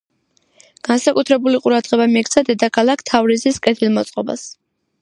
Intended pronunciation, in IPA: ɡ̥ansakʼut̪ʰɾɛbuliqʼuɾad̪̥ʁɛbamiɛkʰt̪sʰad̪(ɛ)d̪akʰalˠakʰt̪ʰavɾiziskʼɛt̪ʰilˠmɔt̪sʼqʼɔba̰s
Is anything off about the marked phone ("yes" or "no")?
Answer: no